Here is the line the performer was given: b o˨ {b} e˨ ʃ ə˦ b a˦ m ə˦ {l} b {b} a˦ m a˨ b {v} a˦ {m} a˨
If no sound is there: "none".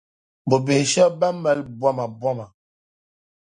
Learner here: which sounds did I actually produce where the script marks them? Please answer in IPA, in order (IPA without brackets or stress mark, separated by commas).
b, l, w, w, m